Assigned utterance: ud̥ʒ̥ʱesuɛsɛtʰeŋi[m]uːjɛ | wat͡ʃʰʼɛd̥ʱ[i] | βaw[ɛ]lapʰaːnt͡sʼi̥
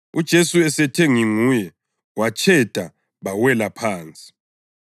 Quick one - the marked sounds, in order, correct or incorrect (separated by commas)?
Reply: incorrect, incorrect, correct